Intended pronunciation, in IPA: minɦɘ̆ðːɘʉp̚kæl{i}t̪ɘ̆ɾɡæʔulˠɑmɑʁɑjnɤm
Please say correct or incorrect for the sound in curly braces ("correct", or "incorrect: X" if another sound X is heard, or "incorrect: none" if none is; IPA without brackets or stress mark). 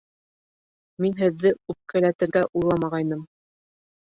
incorrect: æ